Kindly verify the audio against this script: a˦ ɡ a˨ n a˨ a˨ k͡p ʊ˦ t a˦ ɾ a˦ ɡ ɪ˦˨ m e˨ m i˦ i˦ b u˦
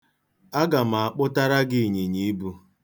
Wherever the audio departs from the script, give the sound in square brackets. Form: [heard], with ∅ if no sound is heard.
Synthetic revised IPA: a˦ ɡ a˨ [m] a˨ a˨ k͡p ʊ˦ t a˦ ɾ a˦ ɡ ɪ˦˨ [ɲ] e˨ [ɲ] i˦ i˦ b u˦